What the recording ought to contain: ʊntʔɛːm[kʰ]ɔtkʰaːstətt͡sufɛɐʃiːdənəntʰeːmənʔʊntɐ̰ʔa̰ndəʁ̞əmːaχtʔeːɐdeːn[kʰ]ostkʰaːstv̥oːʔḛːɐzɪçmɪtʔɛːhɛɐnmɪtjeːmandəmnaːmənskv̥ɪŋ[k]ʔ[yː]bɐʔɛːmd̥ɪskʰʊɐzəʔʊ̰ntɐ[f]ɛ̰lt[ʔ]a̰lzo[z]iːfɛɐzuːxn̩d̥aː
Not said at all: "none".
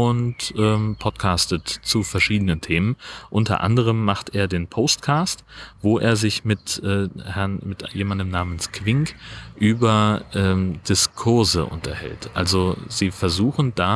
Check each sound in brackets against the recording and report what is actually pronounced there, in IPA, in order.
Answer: pʰ, pʰ, k, yː, h, ʔ, z

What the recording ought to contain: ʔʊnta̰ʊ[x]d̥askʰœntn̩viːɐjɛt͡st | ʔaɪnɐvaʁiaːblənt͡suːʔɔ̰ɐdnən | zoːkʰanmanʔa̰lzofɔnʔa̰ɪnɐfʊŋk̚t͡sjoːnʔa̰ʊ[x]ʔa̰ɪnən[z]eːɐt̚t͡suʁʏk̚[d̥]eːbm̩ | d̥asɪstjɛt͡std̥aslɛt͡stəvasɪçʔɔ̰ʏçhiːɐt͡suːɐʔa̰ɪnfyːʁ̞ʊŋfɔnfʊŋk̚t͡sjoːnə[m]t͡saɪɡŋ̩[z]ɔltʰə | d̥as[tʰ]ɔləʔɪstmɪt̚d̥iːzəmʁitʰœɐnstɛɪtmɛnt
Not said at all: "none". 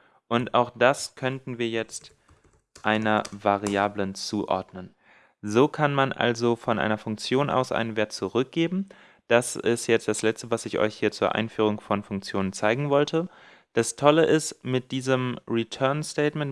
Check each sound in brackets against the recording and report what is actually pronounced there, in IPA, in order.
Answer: x, s, v, ɡ̥, n, v, tʰ

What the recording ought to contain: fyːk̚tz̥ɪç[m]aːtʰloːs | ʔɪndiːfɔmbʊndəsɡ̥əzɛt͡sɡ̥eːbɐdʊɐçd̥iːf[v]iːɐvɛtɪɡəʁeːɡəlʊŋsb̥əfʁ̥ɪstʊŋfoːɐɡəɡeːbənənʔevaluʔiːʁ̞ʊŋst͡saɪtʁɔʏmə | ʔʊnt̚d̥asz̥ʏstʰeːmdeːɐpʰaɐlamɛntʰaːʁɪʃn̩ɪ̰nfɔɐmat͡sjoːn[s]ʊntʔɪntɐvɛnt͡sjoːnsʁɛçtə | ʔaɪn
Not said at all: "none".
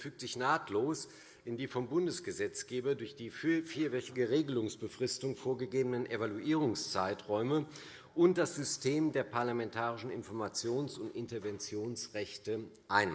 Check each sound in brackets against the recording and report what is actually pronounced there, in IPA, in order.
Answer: n, f, s

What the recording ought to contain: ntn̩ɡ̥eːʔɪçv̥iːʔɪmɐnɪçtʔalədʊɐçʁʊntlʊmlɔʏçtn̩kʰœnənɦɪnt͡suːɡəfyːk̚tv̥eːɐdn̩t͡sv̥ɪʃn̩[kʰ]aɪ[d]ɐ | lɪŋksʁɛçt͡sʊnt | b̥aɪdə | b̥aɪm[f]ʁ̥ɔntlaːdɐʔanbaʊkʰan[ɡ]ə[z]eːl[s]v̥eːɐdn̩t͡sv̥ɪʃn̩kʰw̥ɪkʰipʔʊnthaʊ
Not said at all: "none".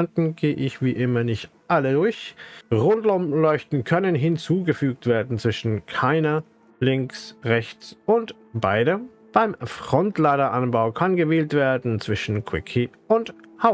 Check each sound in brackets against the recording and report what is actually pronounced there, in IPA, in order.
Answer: kʰ, n, f, ɡ, v, t

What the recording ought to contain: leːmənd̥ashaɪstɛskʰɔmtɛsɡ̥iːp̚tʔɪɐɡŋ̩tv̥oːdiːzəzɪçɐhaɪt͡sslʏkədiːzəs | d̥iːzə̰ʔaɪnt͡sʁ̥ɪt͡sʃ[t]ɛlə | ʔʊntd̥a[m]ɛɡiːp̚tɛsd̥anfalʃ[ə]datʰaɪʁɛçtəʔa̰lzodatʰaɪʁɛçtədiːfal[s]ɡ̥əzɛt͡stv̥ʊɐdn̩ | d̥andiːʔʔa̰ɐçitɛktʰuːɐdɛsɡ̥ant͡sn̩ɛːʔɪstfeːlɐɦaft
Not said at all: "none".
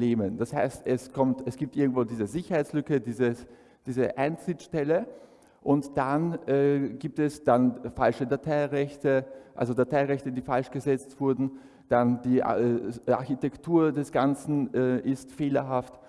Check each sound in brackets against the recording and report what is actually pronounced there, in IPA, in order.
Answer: t, n, ə, ʃ

